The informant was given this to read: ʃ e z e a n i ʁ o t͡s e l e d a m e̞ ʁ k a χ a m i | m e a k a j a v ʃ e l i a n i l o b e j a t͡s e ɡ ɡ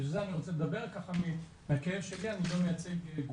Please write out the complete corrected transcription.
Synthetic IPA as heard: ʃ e z e a n i ʁ o t͡s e l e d a b e̞ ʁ k a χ a m i | m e a k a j e v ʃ e l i a n i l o m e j a t͡s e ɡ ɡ